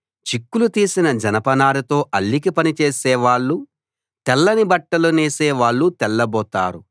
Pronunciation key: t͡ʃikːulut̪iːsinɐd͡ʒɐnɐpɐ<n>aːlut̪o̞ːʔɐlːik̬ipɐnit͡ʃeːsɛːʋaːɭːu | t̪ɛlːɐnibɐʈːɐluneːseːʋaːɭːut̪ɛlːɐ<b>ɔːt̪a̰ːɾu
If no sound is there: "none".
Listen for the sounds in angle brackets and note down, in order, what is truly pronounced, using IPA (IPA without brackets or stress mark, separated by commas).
n, b